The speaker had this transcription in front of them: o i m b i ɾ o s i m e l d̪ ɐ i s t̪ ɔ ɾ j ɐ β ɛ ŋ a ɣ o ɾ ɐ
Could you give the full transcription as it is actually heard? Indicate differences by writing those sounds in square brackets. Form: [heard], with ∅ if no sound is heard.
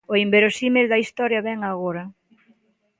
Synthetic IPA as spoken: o i m b [e] ɾ o s i m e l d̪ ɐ i s t̪ ɔ ɾ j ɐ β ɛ ŋ a ɣ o ɾ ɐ